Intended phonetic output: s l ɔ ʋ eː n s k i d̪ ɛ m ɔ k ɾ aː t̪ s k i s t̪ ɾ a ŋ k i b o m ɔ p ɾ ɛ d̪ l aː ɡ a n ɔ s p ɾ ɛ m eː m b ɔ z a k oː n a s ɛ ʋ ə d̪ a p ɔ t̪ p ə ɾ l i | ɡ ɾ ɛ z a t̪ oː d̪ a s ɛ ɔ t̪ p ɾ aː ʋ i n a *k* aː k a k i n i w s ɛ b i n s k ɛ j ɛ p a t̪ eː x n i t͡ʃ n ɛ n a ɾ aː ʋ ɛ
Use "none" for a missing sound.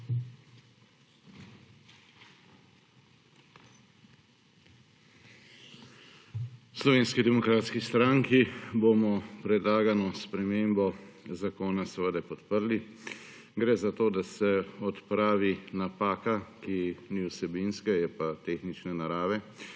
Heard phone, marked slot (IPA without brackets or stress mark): p